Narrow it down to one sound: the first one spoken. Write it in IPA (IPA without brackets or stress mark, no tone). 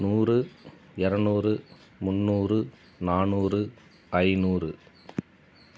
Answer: n